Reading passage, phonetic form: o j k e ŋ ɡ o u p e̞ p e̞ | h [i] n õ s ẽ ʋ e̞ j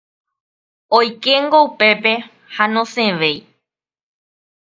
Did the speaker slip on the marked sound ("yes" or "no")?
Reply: yes